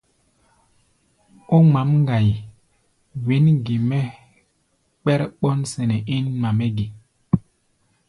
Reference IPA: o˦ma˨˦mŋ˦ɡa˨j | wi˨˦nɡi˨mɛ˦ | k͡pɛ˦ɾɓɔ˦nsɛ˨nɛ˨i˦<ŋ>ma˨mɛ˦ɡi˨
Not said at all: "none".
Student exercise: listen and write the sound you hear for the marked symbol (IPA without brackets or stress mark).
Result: n